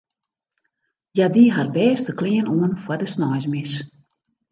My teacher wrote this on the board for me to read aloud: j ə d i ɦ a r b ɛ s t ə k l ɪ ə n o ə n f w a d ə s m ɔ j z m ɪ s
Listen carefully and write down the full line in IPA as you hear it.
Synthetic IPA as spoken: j a d i ɦ a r b ɛː s t ə k l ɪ ə n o ə n f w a d ə s n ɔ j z m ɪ s